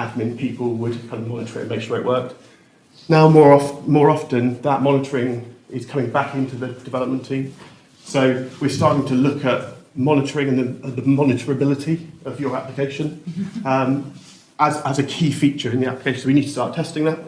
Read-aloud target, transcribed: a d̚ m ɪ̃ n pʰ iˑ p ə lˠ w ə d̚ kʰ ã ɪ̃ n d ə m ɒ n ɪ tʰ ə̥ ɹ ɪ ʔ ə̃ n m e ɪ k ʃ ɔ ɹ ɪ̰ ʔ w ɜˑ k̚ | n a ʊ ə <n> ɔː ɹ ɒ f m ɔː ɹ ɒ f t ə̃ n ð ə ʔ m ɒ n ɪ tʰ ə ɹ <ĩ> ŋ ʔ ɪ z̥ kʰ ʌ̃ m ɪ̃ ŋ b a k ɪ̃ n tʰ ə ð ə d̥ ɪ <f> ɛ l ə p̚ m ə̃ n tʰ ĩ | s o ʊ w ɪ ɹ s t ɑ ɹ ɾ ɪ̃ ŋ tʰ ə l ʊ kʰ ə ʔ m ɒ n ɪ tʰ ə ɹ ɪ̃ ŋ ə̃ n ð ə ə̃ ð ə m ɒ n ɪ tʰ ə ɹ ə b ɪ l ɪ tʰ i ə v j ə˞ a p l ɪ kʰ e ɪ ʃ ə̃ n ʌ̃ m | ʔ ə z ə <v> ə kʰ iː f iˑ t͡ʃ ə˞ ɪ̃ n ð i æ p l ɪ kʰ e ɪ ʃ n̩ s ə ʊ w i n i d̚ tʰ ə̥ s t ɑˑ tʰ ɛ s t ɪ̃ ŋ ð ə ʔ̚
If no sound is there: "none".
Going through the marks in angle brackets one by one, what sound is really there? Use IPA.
m, ɪ̃, v, z

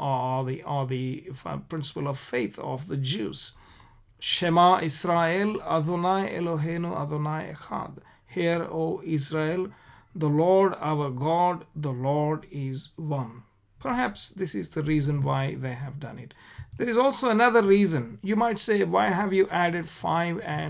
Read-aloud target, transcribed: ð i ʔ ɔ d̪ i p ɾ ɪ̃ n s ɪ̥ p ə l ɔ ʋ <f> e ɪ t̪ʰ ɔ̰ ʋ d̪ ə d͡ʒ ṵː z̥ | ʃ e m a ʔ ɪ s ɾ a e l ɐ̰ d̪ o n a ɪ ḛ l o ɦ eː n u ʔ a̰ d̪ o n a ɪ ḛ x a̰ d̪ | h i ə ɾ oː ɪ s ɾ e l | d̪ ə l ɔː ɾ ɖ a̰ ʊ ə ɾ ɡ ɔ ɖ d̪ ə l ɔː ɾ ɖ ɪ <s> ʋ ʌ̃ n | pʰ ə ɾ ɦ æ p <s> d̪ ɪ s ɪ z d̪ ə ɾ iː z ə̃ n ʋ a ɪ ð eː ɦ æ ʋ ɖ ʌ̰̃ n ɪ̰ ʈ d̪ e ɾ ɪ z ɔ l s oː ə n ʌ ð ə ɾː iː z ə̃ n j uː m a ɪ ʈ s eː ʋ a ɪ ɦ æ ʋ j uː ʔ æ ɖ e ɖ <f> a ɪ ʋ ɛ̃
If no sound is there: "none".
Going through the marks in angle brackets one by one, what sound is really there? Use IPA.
f, z, s, f

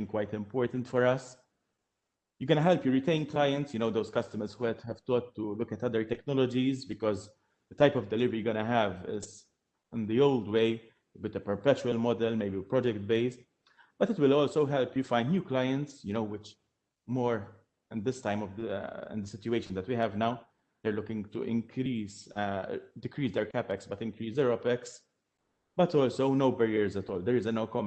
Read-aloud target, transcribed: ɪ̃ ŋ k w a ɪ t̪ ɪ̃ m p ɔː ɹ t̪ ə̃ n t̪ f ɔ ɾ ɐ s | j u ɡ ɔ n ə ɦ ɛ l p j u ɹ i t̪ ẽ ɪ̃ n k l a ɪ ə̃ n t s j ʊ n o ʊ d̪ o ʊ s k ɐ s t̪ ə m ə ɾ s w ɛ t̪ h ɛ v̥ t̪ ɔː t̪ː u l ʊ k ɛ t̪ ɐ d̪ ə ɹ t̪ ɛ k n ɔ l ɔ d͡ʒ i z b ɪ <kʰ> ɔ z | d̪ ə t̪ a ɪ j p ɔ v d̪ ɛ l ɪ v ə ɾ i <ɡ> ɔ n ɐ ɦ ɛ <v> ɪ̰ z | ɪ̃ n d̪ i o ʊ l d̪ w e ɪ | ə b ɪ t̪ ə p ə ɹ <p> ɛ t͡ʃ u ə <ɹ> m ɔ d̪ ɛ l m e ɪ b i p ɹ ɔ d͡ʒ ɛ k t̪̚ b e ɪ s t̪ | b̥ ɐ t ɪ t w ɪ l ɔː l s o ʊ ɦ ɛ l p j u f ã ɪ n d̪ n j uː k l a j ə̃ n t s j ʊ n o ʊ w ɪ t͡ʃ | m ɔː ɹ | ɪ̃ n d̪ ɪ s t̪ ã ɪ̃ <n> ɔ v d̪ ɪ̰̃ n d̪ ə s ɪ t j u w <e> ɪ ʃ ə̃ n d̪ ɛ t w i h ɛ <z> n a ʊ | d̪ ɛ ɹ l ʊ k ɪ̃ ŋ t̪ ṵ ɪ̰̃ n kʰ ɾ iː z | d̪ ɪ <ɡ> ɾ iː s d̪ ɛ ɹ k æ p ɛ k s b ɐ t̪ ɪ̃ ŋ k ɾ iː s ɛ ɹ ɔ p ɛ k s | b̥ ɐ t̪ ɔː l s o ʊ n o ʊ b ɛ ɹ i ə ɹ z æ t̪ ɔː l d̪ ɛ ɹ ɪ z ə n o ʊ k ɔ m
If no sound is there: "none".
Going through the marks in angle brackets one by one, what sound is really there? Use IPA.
k, ɡ, v, p, l, m, e, v, k

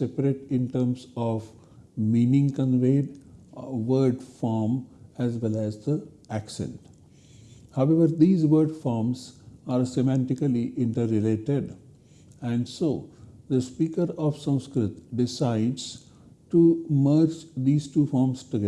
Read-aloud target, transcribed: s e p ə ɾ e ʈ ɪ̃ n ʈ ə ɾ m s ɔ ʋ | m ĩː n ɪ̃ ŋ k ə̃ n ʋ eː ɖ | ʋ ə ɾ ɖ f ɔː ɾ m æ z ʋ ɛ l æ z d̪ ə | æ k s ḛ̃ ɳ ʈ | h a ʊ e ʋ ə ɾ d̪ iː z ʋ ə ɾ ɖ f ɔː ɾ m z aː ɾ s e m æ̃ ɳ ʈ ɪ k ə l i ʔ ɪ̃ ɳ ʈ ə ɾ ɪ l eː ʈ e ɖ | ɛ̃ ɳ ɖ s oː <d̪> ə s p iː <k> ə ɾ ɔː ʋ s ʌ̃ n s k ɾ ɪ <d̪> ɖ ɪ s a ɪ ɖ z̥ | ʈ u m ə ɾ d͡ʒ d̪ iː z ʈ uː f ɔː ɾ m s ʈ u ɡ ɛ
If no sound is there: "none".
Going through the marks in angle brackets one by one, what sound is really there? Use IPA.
d̪, k, t̪

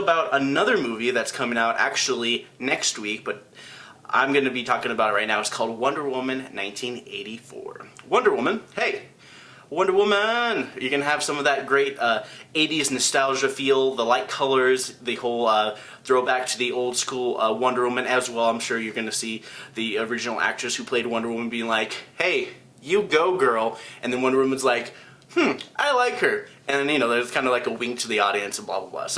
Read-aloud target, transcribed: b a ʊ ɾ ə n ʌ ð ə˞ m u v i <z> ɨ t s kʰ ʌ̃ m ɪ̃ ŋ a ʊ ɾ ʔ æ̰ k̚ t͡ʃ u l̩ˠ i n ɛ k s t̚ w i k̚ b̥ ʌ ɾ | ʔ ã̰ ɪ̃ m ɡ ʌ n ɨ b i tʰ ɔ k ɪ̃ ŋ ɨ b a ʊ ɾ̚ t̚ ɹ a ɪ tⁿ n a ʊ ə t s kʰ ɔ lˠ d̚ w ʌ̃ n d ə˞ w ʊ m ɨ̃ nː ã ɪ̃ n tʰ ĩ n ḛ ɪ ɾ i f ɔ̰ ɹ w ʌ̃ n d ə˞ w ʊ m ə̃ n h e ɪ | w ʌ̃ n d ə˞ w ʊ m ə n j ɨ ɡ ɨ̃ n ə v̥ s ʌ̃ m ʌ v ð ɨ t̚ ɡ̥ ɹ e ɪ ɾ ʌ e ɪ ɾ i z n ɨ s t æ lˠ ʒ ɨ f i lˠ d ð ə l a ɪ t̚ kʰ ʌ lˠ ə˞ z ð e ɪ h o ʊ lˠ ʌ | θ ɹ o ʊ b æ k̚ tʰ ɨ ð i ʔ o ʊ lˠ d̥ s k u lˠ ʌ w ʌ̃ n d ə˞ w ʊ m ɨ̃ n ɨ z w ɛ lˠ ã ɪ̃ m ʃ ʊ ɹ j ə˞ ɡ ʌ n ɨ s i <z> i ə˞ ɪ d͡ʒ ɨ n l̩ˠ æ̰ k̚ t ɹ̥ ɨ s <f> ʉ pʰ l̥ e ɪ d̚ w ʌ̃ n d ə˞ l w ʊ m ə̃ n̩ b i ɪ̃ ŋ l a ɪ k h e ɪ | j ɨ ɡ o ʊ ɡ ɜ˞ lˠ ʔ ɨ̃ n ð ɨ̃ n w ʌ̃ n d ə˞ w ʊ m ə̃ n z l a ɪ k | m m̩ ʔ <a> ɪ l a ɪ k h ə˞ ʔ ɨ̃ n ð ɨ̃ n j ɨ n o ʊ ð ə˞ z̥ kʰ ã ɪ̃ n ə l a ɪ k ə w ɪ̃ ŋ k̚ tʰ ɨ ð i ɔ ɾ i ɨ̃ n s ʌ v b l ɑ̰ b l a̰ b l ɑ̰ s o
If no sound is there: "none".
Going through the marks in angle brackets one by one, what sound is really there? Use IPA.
ð, ð, h, a

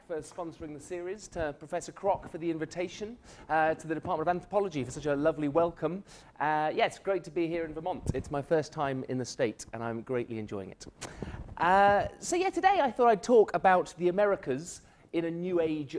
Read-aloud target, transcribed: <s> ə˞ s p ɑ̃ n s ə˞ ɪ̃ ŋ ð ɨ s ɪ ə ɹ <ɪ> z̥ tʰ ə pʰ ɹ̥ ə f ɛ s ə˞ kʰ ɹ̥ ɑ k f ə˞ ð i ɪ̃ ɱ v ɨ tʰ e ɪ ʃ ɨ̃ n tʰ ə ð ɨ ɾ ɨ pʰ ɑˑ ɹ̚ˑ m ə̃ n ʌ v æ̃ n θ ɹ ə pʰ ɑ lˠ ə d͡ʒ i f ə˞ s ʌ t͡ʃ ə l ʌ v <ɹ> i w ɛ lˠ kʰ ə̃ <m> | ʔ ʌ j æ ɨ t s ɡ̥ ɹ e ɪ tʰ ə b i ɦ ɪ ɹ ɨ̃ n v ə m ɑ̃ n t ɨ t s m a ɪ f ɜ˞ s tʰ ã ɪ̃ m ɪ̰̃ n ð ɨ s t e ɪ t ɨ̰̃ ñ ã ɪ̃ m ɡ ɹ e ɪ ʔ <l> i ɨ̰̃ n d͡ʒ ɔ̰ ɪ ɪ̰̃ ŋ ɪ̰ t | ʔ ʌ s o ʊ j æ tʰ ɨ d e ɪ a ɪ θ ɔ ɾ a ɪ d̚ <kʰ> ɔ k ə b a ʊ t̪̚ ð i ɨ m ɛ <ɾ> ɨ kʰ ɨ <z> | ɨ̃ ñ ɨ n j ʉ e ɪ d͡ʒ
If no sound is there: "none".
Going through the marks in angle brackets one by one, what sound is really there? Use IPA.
f, i, l, m, l, tʰ, ɹ, z

